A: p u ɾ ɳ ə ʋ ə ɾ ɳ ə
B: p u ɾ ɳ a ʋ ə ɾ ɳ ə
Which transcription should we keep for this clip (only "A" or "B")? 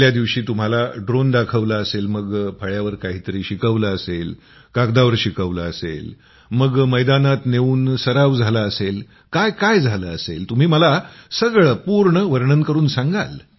A